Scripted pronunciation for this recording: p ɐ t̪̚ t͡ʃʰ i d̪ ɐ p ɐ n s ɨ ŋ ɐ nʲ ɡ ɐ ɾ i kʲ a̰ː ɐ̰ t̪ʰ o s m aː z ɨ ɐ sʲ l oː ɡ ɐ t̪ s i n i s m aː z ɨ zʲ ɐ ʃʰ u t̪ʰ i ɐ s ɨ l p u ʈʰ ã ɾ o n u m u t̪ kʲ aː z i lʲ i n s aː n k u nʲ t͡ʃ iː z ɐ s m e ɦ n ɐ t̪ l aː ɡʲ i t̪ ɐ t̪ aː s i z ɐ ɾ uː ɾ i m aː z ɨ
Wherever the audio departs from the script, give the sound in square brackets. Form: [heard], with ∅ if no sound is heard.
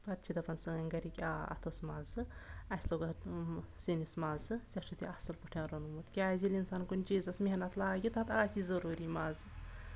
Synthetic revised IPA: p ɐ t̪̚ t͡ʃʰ i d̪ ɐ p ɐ n s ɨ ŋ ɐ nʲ ɡ ɐ ɾ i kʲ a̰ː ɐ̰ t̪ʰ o s m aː z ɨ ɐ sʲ l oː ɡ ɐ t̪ s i n i s m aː z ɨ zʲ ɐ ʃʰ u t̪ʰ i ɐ s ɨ l p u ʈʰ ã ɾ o n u m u t̪ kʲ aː z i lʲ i n s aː n k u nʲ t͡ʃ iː z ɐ s m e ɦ n ɐ t̪ l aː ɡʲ i t̪ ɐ t̪ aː s i z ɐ ɾ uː ɾ i m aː z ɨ